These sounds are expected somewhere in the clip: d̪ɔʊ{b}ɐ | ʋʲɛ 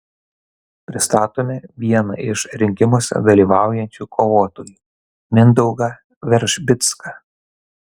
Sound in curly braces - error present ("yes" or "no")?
yes